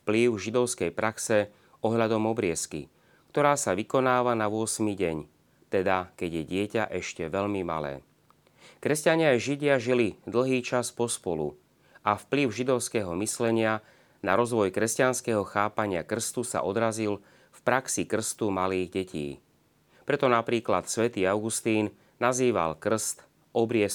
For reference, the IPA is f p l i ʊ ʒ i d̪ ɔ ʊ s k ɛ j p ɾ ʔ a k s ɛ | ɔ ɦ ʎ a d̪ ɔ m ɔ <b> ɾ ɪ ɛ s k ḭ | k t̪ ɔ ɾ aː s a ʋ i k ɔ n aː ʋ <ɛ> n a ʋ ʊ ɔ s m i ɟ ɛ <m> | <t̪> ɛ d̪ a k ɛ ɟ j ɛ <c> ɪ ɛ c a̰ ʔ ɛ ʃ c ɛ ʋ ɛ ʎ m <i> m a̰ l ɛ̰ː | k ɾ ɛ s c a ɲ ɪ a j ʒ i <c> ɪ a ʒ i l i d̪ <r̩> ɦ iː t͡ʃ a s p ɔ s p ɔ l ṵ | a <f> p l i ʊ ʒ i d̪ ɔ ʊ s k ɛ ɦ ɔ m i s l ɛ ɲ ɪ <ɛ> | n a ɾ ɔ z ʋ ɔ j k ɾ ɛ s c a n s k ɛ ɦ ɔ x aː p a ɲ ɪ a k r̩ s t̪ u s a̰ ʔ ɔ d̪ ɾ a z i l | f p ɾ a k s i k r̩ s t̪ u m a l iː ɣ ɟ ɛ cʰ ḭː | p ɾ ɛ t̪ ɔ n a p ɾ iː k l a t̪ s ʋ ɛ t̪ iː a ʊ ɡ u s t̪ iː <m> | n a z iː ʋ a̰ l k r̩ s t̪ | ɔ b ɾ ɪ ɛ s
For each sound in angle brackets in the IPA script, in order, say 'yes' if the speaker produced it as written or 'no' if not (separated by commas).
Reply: yes, no, no, yes, no, yes, no, no, yes, no, no